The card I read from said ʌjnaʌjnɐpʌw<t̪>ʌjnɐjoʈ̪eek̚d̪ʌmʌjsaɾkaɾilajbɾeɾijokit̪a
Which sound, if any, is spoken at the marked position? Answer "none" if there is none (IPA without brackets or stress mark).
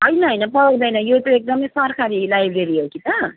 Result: d̪